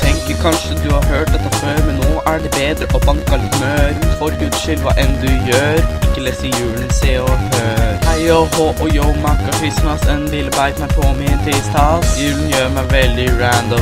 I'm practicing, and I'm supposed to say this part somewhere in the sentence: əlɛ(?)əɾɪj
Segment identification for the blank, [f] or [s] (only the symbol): s